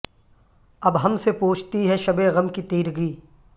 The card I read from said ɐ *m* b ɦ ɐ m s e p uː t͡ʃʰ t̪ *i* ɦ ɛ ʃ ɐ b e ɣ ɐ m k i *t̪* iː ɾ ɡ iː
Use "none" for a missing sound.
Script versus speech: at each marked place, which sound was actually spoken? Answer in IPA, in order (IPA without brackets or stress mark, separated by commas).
none, i, t̪